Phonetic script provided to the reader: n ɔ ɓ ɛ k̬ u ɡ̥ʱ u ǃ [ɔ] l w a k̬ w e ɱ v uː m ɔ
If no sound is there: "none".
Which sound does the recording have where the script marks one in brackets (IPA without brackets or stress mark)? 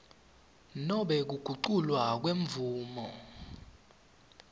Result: u